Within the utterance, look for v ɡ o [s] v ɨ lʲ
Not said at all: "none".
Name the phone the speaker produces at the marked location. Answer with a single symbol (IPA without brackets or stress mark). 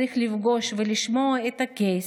ʃ